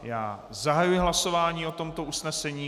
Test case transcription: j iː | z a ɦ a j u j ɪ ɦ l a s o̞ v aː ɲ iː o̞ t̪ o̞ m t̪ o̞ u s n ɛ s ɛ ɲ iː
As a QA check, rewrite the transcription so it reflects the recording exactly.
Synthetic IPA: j aː | z a ɦ a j u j ɪ ɦ l a s o̞ v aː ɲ iː o̞ t̪ o̞ m t̪ o̞ u s n ɛ s ɛ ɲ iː